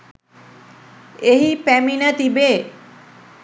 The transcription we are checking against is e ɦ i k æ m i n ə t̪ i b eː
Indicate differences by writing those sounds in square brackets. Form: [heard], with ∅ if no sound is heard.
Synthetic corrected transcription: e ɦ i [p] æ m i n ə t̪ i b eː